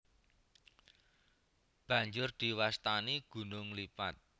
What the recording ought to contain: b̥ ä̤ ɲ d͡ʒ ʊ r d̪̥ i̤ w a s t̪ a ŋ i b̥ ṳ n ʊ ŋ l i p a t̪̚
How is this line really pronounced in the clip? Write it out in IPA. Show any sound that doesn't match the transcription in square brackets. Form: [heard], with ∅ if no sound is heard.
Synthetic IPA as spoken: b̥ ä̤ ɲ d͡ʒ ʊ r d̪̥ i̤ w a s t̪ a [n] i [ɡ̥] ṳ n ʊ ŋ l i p a t̪̚